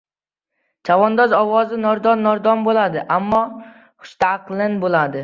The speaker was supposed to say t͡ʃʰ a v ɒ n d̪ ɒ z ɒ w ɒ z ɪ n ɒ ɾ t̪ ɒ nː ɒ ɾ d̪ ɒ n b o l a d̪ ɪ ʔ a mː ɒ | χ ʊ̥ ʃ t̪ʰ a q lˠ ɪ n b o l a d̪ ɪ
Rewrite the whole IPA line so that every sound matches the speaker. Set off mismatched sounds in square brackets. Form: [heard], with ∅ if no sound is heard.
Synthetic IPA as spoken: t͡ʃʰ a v ɒ n d̪ ɒ z ɒ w ɒ z ɪ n ɒ ɾ [d̪] ɒ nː ɒ ɾ d̪ ɒ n b o l a d̪ ɪ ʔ a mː ɒ | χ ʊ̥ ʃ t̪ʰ a q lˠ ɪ n b o l a d̪ ɪ